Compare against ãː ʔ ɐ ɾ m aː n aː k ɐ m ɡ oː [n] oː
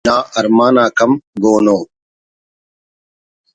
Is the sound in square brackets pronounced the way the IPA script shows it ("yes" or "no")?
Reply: yes